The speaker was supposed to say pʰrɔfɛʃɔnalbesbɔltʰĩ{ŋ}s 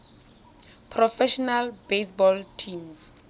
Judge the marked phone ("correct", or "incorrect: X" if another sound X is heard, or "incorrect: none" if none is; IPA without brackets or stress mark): incorrect: m